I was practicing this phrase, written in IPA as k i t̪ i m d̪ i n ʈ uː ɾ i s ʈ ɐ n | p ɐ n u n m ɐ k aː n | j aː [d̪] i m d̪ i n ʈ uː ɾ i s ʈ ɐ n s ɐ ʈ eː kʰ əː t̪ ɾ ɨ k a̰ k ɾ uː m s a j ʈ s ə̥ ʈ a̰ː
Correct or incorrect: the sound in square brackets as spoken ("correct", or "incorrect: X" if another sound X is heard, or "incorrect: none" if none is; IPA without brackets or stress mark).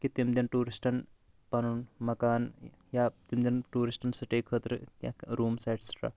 incorrect: t̪